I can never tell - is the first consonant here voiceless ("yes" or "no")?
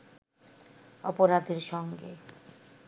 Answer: yes